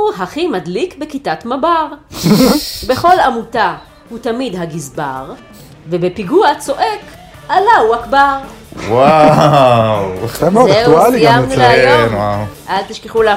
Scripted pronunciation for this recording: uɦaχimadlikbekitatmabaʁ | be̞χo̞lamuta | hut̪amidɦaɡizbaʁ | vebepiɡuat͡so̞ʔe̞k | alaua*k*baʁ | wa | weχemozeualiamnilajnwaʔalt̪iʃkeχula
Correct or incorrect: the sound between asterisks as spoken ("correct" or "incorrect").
correct